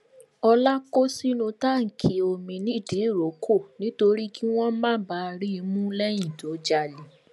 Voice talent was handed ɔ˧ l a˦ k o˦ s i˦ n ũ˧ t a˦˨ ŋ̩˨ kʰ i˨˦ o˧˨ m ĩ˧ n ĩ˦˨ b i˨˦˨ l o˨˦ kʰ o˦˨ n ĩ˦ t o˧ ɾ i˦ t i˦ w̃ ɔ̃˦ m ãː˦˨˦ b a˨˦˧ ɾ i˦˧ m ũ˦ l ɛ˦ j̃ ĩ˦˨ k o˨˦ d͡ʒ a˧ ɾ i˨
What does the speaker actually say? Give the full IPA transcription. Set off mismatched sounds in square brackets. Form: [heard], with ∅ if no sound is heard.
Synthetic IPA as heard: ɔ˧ l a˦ k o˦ s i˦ n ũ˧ t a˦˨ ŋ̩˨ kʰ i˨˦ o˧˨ m ĩ˧ n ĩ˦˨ [d] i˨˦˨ [ɾ] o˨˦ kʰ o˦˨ n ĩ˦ t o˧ ɾ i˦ [k] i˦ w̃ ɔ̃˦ m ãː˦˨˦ b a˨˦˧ ɾ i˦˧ m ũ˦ l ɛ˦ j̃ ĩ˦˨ [t] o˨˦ d͡ʒ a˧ [l] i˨